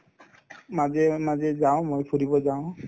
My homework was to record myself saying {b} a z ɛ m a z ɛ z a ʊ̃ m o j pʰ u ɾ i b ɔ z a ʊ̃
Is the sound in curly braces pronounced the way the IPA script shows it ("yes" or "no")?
no